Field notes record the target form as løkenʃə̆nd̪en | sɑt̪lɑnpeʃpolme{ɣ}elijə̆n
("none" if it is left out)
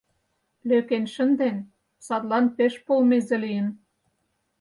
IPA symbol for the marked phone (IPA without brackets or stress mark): z